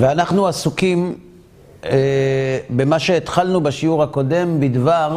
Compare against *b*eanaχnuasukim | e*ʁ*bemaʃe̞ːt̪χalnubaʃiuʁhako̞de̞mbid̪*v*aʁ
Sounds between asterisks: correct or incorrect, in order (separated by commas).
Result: incorrect, incorrect, correct